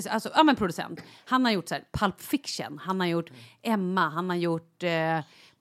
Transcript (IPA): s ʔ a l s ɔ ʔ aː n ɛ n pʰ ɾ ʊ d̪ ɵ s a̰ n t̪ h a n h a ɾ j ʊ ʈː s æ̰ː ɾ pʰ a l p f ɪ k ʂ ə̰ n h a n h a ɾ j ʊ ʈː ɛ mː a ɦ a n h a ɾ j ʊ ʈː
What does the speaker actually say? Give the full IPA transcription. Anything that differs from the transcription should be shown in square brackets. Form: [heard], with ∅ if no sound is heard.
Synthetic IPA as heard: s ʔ a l s ɔ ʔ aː [m] ɛ n pʰ ɾ ʊ d̪ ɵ s [ɛ̰] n t̪ h a n h a ɾ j ʊ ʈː s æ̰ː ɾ pʰ a l p f ɪ k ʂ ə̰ n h a n h a ɾ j ʊ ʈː ɛ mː a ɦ a n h a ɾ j ʊ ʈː